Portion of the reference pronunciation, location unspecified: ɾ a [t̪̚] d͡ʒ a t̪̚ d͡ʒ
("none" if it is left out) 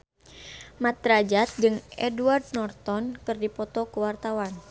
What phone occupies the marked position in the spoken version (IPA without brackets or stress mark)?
none